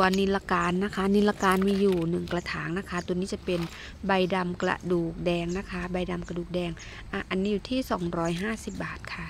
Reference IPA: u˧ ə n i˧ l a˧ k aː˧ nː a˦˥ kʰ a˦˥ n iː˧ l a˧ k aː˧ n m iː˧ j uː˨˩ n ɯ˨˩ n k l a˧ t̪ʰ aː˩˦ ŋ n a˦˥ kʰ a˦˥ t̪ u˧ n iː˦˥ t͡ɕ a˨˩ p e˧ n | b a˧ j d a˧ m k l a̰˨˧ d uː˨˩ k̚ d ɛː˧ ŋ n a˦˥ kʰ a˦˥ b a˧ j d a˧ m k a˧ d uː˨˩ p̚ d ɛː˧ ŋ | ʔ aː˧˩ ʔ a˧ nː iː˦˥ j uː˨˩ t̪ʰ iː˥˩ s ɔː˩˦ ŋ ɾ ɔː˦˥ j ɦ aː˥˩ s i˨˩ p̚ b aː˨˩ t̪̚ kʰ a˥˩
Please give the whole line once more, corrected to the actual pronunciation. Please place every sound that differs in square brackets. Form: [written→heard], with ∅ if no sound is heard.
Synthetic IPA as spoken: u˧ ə n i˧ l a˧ k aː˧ nː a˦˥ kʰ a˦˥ n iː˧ l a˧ k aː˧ n m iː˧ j uː˨˩ n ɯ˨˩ [n→ŋ] k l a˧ t̪ʰ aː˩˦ ŋ n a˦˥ kʰ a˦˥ t̪ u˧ n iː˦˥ t͡ɕ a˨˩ p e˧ n | b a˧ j d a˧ m k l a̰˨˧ d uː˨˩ k̚ d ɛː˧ ŋ n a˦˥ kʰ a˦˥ b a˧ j d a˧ m k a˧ d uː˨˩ [p̚→k̚] d ɛː˧ ŋ | ʔ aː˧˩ ʔ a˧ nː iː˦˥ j uː˨˩ t̪ʰ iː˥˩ s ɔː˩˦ ŋ ɾ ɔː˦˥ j ɦ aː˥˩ s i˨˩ p̚ b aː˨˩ t̪̚ kʰ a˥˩